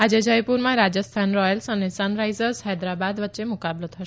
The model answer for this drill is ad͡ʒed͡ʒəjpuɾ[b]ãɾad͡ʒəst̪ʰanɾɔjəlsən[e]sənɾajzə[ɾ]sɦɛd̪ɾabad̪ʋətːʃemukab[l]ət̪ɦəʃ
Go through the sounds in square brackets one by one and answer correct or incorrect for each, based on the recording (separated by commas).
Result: incorrect, correct, correct, correct